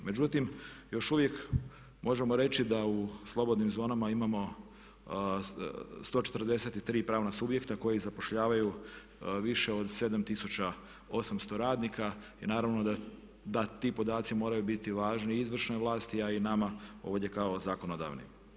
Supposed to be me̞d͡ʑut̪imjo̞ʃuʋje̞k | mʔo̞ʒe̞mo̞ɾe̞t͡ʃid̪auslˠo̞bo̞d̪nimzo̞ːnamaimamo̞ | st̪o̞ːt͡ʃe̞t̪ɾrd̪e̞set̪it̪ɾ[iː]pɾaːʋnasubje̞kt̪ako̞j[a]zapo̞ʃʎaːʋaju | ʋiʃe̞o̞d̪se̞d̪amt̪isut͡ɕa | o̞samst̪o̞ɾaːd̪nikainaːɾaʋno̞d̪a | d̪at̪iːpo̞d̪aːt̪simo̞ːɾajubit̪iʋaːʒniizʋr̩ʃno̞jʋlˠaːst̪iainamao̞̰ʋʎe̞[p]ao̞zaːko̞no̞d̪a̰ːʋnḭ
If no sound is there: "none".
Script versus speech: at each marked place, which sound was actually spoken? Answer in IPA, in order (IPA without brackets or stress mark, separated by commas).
iː, i, k